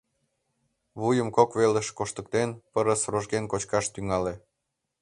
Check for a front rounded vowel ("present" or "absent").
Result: present